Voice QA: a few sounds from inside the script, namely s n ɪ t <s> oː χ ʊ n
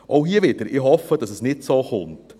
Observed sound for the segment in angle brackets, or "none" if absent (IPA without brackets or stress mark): s